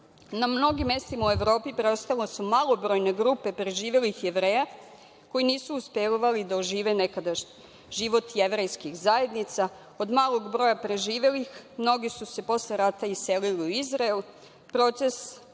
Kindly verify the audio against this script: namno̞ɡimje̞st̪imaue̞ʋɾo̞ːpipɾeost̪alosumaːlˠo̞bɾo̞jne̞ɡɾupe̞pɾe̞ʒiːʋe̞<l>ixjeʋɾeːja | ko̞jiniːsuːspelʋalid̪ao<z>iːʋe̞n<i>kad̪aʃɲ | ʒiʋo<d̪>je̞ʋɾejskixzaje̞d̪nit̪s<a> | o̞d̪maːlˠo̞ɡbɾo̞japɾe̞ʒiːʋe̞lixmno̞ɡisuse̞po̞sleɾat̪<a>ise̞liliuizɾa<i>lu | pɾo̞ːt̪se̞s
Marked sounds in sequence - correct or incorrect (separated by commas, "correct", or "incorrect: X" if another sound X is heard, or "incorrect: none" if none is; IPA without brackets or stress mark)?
correct, incorrect: ʒ, incorrect: e, incorrect: t̪, correct, correct, incorrect: e